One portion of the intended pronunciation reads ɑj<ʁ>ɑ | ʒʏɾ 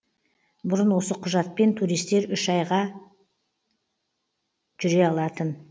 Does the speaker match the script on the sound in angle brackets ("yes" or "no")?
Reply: yes